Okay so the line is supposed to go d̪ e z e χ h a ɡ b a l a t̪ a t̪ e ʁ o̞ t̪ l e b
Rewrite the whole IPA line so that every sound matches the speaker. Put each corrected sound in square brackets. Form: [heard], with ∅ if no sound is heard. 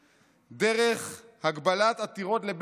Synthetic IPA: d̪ e [ʁ] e χ h a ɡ b a l a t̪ a t̪ [i] ʁ o̞ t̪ l e b